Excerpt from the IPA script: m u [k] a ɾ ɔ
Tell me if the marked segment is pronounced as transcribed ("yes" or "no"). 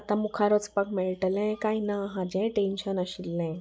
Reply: no